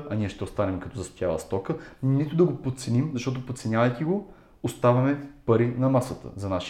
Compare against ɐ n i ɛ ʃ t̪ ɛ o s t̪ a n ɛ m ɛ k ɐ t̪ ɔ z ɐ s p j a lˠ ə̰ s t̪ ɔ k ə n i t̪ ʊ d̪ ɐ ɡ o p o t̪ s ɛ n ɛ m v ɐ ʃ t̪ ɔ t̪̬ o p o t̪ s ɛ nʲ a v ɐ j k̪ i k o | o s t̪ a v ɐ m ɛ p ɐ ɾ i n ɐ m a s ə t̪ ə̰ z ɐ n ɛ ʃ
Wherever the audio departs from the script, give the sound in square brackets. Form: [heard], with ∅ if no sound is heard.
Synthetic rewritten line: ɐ n i ɛ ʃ t̪ ɛ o s t̪ a n ɛ m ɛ k ɐ t̪ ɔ z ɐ s p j a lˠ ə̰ s t̪ ɔ k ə n i t̪ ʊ d̪ ɐ ɡ o p o t̪ s ɛ n [i] m [z] ɐ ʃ t̪ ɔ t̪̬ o p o t̪ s ɛ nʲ a v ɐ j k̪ i [ɡ] o | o s t̪ a v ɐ m ɛ p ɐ ɾ i n ɐ m a s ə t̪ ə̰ z ɐ n [a] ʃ